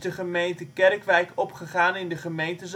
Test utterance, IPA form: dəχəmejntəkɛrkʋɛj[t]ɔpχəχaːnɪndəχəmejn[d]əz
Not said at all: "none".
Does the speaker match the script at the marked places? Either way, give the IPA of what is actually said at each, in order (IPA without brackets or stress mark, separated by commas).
k, t